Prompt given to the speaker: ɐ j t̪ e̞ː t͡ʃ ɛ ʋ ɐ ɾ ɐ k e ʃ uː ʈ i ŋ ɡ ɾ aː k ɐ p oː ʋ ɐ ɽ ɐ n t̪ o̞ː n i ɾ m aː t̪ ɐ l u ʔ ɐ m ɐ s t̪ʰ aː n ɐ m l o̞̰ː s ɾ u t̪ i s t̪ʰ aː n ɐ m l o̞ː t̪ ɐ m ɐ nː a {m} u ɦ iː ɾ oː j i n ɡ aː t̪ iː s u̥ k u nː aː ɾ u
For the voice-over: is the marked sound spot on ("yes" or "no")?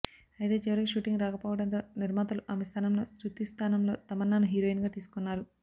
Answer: no